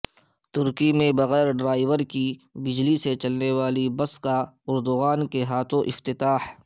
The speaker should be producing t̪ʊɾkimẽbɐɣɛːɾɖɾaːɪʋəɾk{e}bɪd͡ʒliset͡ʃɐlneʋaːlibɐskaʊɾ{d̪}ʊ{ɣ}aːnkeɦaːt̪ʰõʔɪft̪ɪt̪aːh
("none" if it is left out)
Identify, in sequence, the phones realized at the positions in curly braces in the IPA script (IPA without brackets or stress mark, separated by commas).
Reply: i, d̪, ɣ